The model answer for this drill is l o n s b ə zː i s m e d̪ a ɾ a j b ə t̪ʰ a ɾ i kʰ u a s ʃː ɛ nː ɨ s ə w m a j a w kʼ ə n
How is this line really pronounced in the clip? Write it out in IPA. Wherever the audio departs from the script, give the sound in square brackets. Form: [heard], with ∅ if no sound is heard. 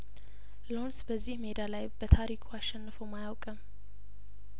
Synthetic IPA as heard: l o n s b ə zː i [h] m e d̪ a [l] a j b ə t̪ʰ a ɾ i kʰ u a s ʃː ɛ nː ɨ [f] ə w m a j a w kʼ ə [m]